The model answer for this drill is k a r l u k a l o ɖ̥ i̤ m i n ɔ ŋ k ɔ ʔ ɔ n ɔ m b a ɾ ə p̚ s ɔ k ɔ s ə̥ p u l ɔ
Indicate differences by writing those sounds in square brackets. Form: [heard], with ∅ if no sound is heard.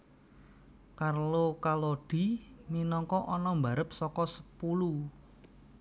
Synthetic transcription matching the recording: k a r l [o] k a l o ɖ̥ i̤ m i n ɔ ŋ k ɔ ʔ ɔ n ɔ m b a ɾ ə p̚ s ɔ k ɔ s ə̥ p u l [u]